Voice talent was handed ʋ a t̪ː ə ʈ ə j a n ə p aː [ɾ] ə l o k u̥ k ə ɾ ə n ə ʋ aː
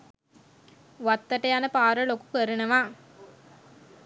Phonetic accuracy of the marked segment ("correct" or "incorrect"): correct